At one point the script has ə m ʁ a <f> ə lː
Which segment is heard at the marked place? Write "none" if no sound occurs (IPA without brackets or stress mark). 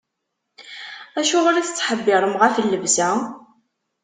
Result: f